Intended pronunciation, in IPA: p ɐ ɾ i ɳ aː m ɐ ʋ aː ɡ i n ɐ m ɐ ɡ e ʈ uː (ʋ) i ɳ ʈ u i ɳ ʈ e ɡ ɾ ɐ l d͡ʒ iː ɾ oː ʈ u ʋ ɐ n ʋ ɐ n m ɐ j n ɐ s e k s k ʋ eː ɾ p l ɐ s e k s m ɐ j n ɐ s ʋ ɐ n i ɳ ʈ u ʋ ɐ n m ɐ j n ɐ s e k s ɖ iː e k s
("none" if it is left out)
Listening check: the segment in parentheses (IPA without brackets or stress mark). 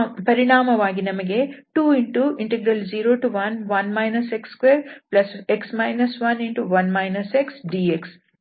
none